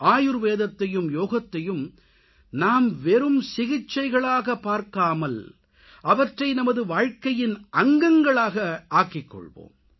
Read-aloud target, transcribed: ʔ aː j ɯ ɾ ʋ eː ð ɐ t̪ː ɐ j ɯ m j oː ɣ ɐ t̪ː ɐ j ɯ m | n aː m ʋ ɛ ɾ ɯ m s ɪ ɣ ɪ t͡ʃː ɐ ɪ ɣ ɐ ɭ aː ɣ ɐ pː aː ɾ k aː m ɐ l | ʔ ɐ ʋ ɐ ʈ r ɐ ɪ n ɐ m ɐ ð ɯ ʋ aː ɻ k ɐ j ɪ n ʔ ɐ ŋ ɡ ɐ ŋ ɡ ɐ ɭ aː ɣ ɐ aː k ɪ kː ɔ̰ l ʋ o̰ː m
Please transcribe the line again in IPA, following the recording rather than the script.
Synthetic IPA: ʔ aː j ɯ ɾ ʋ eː ð ɐ t̪ː ɐ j ɯ m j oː ɣ ɐ t̪ː ɐ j ɯ m | n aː m ʋ ɛ ɾ ɯ m s ɪ ɣ ɪ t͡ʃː ɐ ɪ ɣ ɐ ɭ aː ɣ ɐ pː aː ɾ k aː m ɐ l | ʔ ɐ ʋ ɐ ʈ r ɐ ɪ n ɐ m ɐ ð ɯ ʋ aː ɻ k ɐ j ɪ n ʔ ɐ ŋ ɡ ɐ ŋ ɡ ɐ ɭ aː ɣ ɐ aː k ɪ kː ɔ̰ ɭ ʋ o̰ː m